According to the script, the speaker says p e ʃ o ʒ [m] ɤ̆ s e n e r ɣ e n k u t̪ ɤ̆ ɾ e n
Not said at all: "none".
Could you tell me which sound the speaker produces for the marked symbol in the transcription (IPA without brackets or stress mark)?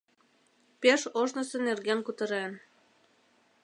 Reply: n